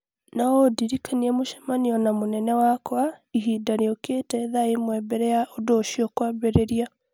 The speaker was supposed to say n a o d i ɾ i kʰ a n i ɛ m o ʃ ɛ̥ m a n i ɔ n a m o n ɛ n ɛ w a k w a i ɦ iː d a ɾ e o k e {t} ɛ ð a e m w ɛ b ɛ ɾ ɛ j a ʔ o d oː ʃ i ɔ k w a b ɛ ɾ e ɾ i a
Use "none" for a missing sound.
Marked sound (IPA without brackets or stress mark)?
t